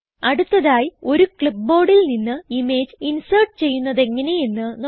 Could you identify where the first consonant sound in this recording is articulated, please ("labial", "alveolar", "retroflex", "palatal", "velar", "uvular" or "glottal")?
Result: retroflex